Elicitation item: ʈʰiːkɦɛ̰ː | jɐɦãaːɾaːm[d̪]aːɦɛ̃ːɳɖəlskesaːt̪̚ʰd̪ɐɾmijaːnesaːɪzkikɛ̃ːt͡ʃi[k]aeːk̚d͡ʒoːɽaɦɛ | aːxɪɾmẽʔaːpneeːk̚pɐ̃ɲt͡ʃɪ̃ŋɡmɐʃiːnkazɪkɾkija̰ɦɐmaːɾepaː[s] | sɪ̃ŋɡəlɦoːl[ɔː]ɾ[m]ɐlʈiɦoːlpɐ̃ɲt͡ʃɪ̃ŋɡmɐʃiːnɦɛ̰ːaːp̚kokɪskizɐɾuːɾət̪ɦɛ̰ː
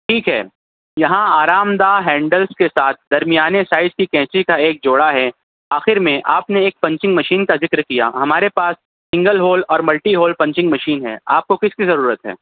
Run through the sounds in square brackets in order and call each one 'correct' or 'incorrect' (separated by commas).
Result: correct, correct, correct, correct, correct